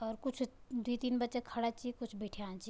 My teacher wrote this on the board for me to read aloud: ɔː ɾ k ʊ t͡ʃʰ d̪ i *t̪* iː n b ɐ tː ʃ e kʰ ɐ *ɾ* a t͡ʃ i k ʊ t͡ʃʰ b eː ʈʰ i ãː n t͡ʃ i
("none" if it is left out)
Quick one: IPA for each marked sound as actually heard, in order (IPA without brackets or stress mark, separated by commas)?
t̪, ɽ